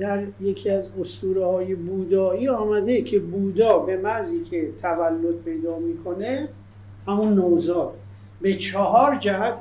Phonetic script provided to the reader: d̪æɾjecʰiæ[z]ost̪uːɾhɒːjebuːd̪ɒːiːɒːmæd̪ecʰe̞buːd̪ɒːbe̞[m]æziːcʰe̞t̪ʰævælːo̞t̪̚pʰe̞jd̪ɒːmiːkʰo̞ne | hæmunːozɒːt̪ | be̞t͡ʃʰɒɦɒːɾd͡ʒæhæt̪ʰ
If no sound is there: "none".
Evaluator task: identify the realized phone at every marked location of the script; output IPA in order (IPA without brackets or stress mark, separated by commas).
z, m